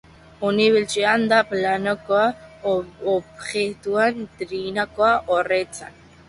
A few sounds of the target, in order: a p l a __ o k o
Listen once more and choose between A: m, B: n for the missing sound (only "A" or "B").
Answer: B